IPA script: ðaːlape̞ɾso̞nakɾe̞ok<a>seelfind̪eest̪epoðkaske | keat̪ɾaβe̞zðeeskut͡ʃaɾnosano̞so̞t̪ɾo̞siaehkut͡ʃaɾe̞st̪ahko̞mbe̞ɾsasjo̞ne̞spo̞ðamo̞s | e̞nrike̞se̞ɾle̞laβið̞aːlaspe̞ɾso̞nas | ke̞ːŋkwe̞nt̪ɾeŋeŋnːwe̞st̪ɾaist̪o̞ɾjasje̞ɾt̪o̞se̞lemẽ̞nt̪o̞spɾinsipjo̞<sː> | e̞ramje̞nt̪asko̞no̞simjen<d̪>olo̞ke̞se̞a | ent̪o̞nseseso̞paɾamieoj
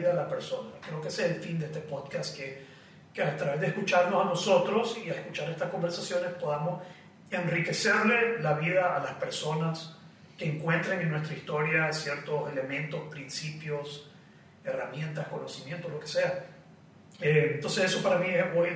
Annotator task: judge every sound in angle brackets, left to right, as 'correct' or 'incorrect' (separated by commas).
incorrect, incorrect, incorrect